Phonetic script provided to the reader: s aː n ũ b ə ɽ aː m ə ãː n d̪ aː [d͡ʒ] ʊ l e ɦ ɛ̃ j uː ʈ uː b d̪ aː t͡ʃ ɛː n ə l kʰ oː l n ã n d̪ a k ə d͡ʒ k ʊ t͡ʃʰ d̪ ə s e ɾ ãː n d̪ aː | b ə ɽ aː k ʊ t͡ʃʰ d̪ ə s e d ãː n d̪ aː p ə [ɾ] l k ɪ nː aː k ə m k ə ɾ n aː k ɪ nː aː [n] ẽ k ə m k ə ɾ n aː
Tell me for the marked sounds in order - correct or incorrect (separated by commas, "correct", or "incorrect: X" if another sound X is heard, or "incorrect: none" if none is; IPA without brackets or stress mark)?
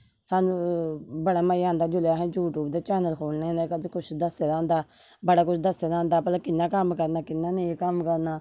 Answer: correct, incorrect: none, correct